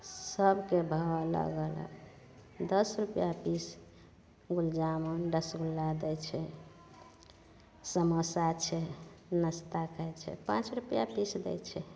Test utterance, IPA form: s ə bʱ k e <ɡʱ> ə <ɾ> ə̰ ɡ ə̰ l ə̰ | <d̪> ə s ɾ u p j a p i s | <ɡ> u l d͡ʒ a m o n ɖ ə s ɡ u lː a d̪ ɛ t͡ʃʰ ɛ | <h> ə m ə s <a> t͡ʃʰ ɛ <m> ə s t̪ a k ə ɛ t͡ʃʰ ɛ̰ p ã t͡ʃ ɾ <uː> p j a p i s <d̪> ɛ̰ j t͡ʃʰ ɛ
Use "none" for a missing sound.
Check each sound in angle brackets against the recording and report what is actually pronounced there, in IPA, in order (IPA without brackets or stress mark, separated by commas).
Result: bʱ, l, d̪, ɡ, s, a, n, u, d̪